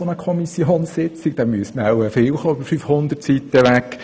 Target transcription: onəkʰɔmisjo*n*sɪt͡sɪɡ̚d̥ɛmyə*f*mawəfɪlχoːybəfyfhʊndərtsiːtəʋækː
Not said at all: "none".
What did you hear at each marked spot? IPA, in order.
n, s

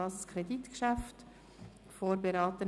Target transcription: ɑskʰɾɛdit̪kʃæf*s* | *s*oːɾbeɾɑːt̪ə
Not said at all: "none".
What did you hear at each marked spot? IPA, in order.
t, f

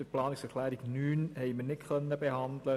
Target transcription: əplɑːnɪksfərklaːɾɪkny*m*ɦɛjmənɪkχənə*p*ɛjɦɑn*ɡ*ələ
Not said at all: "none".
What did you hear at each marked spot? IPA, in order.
n, b, d

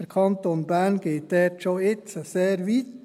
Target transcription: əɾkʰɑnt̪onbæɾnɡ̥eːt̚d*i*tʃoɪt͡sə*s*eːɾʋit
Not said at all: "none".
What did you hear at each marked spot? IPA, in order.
ɛ, s

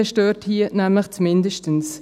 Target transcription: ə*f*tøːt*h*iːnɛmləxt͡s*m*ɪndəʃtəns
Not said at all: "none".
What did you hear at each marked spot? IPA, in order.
ʃ, h, m

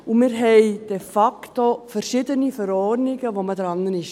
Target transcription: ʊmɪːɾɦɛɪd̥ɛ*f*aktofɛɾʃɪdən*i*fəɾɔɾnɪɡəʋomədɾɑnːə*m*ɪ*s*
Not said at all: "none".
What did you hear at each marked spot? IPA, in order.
f, i, n, ʃ

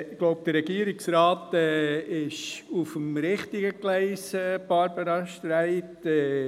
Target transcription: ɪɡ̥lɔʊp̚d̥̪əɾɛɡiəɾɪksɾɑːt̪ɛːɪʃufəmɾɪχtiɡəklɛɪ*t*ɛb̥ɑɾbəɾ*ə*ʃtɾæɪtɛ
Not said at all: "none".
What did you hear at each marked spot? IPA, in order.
s, ɑ

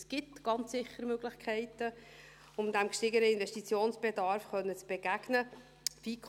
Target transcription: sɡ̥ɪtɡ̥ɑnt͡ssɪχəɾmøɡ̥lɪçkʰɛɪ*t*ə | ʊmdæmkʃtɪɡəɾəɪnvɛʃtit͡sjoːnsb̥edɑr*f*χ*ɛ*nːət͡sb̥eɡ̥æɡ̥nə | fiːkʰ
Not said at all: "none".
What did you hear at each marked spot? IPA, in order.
t, f, œ

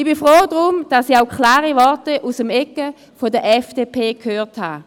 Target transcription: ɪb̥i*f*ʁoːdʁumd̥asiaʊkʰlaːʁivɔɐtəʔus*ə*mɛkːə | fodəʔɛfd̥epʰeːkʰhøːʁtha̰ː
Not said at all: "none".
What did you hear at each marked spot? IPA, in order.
f, ə

